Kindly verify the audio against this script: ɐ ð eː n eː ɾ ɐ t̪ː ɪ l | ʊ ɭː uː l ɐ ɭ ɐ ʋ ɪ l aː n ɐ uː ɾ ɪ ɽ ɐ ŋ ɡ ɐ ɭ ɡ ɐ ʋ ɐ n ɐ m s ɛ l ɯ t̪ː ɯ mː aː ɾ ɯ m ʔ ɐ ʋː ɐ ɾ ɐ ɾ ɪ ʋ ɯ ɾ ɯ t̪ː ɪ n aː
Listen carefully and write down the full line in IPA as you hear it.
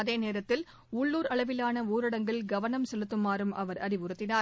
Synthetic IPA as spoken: ɐ ð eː n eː ɾ ɐ t̪ː ɪ l | ʊ ɭː uː ɾ ɐ ɭ ɐ ʋ ɪ l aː n ɐ uː ɾ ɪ ɽ ɐ ŋ ɡ ɐ ɭ ɡ ɐ ʋ ɐ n ɐ m s ɛ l ɯ t̪ː ɯ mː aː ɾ ɯ m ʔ ɐ ʋ ɐ ɾ ɐ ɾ ɪ ʋ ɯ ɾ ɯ t̪ː ɪ n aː

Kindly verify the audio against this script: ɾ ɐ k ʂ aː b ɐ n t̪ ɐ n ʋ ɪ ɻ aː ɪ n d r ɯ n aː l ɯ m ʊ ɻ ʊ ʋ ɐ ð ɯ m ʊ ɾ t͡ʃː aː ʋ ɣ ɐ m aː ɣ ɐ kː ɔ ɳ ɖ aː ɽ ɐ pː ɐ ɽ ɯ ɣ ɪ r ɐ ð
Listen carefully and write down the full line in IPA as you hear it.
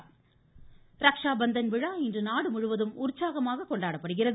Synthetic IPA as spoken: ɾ ɐ k ʂ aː b ɐ n d̪ ɐ n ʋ ɪ ɻ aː ɪ n d r ɯ n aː ɽ ɯ m ʊ ɻ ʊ ʋ ɐ ð ɯ m ʊ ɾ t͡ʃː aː ɣ ɐ m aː ɣ ɐ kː ɔ ɳ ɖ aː ɽ ɐ pː ɐ ɽ ɯ ɣ ɪ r ɐ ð

